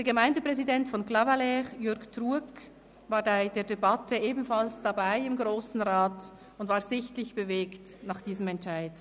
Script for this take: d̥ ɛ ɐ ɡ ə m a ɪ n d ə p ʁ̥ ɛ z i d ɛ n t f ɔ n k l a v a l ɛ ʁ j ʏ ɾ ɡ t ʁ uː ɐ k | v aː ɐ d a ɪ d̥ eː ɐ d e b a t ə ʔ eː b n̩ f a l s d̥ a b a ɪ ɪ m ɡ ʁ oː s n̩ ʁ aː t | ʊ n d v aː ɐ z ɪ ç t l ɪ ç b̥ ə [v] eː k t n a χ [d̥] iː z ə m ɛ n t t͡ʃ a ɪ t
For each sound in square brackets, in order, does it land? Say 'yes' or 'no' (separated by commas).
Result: yes, yes